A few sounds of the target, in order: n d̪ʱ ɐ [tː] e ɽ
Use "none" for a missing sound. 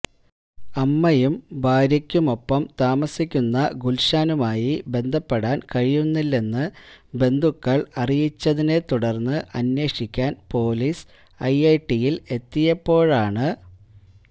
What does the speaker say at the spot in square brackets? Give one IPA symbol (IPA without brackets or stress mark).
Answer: pː